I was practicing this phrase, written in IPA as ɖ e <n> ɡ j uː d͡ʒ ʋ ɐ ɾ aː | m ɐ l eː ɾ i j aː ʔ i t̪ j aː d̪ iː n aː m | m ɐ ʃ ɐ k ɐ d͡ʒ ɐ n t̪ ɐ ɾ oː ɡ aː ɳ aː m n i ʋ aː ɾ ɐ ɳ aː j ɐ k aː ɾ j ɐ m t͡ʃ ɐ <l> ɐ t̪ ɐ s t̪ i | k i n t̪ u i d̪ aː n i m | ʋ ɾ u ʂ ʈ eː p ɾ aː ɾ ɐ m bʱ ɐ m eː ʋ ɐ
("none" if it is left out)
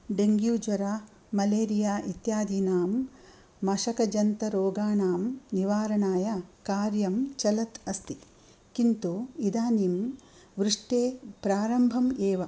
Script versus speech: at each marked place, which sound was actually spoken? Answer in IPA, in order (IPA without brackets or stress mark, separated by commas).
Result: ŋ, l